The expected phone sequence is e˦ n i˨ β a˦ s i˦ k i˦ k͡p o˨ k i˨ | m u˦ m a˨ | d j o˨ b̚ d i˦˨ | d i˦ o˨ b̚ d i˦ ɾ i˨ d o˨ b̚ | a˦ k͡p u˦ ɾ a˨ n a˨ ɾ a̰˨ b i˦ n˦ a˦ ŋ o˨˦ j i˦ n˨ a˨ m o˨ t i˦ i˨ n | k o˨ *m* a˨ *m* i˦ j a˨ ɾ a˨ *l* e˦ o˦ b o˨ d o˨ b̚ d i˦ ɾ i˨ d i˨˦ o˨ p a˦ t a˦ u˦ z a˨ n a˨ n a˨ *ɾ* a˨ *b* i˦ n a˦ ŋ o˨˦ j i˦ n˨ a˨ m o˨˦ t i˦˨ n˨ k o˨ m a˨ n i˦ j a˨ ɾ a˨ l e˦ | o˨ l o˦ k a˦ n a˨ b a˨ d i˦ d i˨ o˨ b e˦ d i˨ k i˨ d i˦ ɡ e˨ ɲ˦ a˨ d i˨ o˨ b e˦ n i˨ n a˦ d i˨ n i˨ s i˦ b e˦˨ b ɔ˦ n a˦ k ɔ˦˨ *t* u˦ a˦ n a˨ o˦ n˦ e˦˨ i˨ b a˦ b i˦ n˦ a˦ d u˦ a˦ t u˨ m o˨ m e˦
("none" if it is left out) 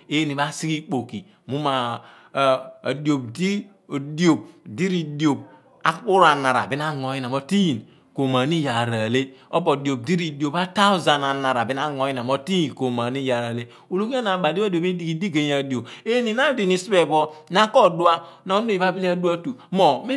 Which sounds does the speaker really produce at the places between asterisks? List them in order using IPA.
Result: m, n, l, ɾ, b, d

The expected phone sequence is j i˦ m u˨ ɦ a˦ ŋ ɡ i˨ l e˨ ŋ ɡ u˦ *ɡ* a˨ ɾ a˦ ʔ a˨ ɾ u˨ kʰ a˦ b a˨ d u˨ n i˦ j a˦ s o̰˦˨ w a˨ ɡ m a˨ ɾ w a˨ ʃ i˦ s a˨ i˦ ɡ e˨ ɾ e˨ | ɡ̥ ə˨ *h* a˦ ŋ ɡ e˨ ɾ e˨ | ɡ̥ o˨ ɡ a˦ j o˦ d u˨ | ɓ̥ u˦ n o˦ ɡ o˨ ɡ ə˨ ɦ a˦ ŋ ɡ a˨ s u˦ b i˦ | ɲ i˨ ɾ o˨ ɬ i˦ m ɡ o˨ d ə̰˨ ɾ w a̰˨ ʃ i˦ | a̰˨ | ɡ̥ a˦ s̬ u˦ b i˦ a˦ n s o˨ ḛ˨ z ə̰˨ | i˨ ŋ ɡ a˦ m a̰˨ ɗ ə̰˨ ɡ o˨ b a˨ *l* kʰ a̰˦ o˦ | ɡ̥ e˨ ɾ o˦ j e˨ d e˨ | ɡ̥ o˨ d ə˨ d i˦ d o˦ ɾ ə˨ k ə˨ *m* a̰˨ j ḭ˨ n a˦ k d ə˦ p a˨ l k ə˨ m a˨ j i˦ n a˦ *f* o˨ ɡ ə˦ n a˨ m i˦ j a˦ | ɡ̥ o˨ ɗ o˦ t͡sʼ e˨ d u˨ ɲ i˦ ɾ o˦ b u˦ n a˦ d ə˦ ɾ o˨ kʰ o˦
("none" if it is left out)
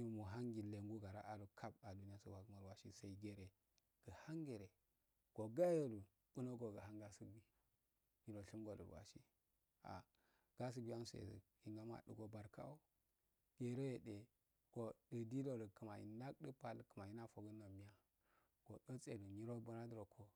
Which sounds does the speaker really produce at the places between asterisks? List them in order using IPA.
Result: ɡ, h, ɾ, m, f

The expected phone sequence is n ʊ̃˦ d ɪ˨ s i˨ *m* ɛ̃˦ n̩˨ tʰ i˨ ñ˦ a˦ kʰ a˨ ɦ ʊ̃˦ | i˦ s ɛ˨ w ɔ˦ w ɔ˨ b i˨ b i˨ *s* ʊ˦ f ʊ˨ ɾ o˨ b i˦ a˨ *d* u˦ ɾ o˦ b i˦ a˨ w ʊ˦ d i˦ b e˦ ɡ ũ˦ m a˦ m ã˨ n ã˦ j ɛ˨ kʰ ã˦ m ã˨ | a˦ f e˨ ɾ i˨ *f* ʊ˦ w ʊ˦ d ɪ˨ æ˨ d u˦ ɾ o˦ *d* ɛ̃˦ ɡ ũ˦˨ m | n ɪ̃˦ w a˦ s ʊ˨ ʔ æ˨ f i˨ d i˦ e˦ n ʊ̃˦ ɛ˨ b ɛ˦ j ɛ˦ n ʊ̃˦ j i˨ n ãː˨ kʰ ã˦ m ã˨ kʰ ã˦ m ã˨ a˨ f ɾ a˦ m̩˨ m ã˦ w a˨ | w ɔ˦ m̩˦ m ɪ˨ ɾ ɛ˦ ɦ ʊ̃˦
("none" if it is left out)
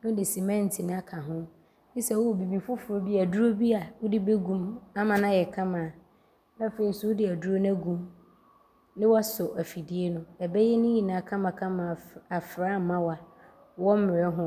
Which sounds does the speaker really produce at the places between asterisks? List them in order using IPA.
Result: m, f, d, s, n

